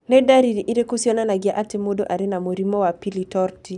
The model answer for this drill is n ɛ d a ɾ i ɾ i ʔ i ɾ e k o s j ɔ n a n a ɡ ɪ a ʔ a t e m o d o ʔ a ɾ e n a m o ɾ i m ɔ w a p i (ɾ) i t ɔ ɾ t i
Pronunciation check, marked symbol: incorrect: l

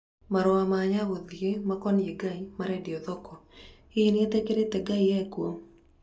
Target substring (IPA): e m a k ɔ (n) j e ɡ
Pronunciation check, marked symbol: correct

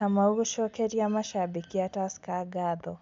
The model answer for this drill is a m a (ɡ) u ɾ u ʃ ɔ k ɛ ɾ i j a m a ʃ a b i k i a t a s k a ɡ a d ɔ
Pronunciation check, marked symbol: incorrect: none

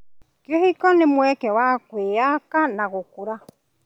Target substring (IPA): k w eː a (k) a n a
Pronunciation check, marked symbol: correct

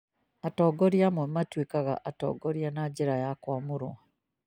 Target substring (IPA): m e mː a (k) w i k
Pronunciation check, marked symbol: incorrect: t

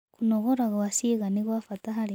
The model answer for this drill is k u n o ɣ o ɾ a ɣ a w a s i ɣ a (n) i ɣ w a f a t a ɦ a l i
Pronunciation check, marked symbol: correct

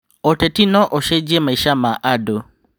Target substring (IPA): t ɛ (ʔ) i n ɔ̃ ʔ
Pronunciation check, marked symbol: incorrect: t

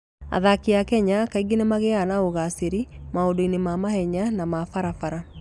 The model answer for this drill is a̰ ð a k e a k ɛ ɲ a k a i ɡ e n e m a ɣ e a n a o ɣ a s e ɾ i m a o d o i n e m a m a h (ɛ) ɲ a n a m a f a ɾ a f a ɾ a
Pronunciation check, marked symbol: correct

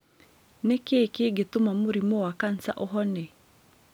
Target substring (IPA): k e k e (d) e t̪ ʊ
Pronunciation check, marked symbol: incorrect: ɡ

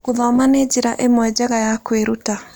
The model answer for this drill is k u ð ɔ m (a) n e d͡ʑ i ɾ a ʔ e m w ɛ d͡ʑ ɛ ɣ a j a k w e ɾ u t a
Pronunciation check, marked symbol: correct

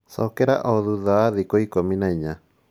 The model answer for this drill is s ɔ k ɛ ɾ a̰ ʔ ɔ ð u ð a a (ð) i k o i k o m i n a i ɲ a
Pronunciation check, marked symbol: correct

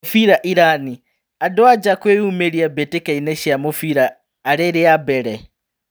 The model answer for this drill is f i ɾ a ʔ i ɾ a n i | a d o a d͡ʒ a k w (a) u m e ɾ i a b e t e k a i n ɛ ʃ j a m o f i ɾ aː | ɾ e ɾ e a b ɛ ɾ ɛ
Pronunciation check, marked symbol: incorrect: e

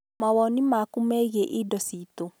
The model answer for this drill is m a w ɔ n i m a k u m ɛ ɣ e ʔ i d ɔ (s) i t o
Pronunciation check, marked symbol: correct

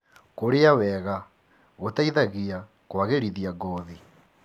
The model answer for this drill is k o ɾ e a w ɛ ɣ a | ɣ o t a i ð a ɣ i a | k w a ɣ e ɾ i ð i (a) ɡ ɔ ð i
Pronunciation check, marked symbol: correct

